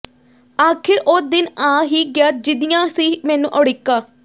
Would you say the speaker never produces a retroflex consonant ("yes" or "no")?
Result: no